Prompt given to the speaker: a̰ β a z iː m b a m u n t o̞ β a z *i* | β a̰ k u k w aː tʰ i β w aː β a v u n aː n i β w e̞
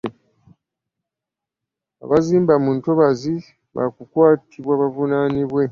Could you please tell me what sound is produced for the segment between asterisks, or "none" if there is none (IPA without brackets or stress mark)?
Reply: i